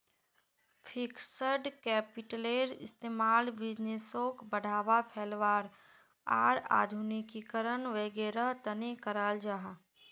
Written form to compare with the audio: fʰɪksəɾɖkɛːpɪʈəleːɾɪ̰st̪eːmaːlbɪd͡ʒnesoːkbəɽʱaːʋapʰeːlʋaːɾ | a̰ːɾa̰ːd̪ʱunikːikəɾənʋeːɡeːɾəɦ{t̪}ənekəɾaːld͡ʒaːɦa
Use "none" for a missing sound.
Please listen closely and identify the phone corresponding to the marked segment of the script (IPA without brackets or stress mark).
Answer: t̪